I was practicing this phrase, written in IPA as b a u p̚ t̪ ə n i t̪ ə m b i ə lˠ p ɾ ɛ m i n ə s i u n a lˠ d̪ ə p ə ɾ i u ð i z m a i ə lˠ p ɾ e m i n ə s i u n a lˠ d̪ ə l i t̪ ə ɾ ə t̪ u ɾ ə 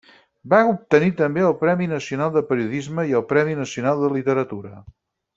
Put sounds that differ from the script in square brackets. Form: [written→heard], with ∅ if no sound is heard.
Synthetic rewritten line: b a u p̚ t̪ ə n i t̪ ə m b [i→e] ə lˠ p ɾ ɛ m i n ə s i u n a lˠ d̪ ə p ə ɾ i u ð i z m [a→ə] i ə lˠ p ɾ [e→ɛ] m i n ə s i u n a lˠ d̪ ə l i t̪ ə ɾ ə t̪ u ɾ ə